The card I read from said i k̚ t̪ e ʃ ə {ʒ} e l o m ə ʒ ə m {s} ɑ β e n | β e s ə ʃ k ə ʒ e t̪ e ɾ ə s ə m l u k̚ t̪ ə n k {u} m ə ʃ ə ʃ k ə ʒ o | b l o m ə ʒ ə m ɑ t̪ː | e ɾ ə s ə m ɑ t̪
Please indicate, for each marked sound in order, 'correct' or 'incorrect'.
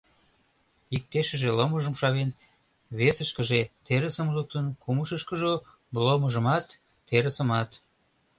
correct, incorrect: ʃ, correct

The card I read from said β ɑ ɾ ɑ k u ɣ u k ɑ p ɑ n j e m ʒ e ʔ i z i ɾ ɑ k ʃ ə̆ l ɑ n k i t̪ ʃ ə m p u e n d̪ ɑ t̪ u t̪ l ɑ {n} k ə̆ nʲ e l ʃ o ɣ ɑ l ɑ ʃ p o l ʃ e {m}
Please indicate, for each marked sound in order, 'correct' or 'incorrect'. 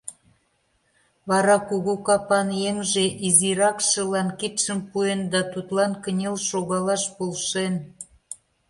correct, incorrect: n

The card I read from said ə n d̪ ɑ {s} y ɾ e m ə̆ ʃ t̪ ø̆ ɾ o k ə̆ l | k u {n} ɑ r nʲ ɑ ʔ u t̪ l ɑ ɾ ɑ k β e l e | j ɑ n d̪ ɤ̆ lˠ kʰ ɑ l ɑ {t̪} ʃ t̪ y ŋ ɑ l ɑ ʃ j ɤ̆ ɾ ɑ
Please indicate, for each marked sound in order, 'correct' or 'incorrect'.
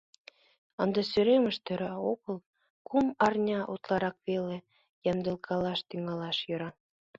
correct, incorrect: m, incorrect: none

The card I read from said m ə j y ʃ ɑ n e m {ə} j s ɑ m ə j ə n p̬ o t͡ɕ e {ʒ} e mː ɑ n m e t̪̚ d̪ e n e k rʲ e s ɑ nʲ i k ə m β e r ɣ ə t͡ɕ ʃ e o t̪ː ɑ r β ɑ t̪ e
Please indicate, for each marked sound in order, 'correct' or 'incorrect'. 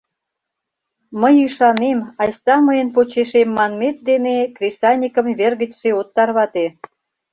incorrect: ɑ, incorrect: ʃ

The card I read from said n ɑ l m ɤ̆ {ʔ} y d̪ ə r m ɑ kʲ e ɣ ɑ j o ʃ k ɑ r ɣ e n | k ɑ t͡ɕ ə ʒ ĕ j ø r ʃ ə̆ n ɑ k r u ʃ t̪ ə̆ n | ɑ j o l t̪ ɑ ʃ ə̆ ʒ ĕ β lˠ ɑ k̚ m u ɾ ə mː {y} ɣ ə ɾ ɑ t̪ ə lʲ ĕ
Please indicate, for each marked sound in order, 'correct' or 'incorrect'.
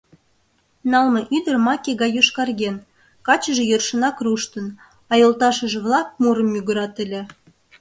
correct, correct

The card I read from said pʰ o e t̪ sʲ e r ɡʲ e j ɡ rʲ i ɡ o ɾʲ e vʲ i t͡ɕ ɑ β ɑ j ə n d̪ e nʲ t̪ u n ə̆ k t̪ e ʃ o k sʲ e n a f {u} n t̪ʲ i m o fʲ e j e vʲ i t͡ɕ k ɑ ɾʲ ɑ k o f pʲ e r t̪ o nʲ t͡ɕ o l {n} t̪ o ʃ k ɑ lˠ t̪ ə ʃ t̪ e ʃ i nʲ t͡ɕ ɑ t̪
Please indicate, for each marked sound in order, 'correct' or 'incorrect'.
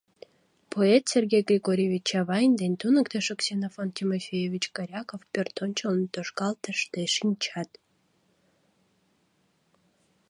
incorrect: o, correct

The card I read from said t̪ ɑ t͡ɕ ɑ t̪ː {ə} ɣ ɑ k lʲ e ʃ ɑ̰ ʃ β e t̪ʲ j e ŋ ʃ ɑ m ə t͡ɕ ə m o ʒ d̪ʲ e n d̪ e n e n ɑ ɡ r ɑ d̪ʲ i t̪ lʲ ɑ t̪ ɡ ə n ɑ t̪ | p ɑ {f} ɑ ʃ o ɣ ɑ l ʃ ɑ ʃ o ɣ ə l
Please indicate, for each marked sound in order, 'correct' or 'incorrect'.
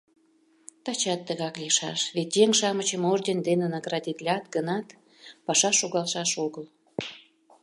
correct, incorrect: ʃ

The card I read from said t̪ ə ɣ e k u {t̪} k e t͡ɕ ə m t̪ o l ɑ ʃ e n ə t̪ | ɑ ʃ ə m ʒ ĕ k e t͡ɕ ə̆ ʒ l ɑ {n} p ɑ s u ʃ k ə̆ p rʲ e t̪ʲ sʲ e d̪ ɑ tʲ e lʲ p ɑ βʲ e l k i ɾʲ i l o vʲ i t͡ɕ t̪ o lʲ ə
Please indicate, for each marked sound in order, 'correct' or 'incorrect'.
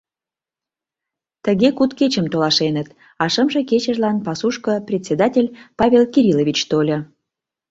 correct, correct

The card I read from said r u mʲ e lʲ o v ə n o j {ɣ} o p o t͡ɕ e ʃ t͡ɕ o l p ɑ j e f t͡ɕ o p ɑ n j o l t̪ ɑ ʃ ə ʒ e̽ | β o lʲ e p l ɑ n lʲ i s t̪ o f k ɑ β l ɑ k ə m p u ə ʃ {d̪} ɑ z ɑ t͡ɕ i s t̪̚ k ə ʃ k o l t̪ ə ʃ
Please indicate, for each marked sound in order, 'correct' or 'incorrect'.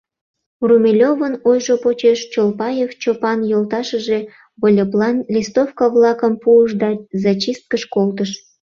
incorrect: ʒ, correct

